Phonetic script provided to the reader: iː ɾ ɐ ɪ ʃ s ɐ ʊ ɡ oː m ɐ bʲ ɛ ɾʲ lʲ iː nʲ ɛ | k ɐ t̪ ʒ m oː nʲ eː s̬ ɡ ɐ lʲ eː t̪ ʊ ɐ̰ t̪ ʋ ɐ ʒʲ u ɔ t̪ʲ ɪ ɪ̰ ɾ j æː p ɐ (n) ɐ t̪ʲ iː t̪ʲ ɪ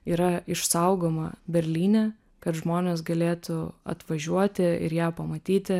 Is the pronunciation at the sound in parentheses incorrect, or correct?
incorrect